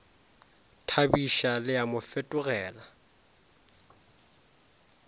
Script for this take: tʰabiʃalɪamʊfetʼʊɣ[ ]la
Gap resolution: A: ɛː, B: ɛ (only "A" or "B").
A